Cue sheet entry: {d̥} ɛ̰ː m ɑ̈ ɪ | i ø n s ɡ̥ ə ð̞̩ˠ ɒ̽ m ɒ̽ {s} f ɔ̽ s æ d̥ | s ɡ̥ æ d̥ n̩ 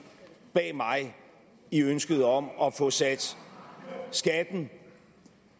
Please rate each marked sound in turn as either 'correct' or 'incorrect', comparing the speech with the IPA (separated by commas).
incorrect, incorrect